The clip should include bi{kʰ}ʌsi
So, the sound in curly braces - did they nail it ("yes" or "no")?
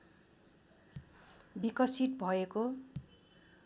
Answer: no